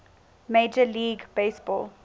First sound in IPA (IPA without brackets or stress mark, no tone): m